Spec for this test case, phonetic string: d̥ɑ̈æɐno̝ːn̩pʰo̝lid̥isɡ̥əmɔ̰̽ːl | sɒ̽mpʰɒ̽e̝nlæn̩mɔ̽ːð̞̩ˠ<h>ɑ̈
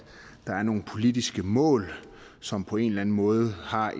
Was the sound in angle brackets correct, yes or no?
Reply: yes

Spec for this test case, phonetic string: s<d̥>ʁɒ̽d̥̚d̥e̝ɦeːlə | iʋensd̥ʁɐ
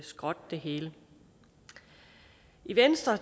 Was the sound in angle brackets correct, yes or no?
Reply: no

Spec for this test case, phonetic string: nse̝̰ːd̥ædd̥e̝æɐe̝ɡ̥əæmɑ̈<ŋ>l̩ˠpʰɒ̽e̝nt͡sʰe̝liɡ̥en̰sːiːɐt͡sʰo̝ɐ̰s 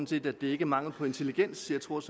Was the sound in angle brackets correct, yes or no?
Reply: yes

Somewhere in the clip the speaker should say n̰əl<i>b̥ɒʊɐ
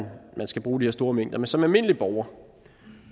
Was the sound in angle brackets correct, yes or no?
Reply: yes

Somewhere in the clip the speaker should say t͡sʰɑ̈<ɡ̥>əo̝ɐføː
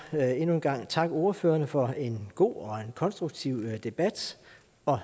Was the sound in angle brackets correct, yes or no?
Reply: yes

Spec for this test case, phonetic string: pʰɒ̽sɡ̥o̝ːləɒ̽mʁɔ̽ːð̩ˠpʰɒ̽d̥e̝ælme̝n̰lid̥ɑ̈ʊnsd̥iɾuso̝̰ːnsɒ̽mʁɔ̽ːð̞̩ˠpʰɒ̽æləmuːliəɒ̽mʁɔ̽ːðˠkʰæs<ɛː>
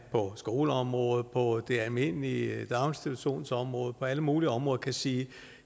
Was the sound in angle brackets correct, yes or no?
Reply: no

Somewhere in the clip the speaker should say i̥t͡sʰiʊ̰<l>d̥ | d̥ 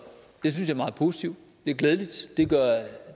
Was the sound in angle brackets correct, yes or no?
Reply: no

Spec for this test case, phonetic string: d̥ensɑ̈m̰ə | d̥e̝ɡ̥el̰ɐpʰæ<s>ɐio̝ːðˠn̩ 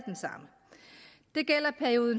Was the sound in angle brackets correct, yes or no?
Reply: no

